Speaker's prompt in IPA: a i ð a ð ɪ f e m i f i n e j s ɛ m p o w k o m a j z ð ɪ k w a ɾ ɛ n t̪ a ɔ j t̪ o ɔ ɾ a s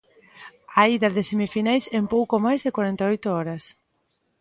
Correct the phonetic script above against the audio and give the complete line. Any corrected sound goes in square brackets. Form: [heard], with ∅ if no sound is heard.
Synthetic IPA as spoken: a i ð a ð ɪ [s] e m i f i n [a] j s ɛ m p o w k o m a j z ð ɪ k w a ɾ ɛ n t̪ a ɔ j t̪ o ɔ ɾ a s